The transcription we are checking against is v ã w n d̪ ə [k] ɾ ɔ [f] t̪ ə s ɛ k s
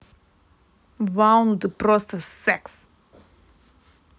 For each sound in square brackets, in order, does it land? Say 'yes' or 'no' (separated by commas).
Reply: no, no